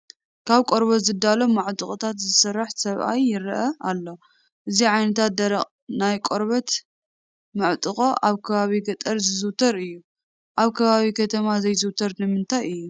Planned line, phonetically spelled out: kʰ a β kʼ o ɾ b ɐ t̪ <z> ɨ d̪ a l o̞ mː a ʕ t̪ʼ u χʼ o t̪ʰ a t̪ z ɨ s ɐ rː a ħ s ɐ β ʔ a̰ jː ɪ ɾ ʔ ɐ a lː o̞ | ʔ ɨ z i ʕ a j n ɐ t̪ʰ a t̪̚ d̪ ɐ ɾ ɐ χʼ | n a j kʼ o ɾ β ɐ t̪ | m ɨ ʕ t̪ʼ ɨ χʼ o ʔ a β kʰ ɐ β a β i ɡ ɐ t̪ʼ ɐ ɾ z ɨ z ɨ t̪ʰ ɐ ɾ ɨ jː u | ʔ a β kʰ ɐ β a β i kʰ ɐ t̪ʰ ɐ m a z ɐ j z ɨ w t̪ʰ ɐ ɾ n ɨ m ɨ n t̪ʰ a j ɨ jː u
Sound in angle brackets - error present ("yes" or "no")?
no